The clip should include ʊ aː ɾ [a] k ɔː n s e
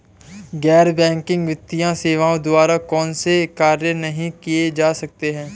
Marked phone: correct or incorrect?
correct